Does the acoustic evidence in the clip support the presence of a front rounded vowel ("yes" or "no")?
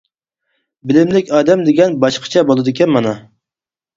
no